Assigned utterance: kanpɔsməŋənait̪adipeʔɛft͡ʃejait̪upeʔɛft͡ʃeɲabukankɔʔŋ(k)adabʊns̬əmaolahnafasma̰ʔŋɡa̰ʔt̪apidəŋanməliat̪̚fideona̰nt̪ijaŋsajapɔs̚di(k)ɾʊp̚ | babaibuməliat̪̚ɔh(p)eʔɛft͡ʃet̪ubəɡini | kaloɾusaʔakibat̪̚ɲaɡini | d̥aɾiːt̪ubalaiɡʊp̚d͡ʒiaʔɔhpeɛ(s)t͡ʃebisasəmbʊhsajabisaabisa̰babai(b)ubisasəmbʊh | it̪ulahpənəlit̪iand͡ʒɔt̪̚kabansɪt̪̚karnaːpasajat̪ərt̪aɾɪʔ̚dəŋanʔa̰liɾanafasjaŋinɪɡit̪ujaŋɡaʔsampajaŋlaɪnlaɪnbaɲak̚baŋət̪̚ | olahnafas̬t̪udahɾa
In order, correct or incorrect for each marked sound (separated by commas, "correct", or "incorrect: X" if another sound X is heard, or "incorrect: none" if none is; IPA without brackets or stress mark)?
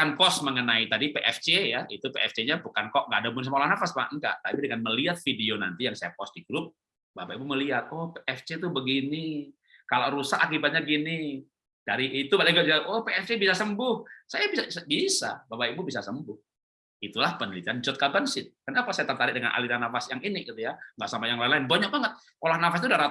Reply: incorrect: ɡ, incorrect: ɡ, correct, incorrect: f, correct